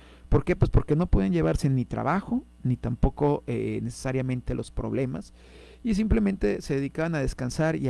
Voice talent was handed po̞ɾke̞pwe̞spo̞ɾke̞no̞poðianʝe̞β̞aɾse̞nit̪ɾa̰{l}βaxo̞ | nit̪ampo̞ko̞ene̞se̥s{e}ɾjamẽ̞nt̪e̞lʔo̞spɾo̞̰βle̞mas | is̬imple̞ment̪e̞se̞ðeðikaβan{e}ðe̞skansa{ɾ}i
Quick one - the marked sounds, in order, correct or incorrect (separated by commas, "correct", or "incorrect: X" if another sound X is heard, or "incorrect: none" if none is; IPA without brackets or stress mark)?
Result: incorrect: none, incorrect: a, incorrect: a, correct